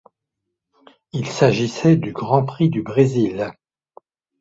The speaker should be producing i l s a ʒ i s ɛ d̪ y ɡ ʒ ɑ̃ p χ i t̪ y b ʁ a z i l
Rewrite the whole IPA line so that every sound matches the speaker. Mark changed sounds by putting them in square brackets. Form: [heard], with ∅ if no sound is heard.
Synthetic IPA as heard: i l s a ʒ i s ɛ d̪ y ɡ [ʁ] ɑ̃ p χ i [d̪] y b ʁ [e] z i l